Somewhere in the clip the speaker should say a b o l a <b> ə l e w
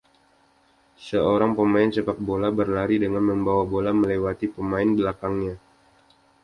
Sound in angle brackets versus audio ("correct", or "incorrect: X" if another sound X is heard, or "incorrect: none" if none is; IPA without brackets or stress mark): incorrect: m